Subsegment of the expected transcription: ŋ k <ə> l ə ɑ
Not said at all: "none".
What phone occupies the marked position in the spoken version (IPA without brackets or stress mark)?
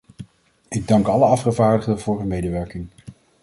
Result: ɑ